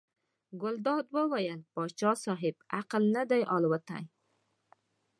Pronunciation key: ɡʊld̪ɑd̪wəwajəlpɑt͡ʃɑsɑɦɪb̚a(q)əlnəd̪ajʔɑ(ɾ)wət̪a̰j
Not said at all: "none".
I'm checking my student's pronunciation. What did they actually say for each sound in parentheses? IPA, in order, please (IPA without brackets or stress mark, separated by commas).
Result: q, l